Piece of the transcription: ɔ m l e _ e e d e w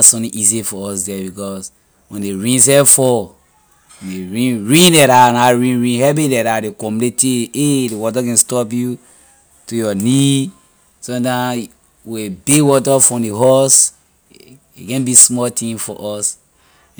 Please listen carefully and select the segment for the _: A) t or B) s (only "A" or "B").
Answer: A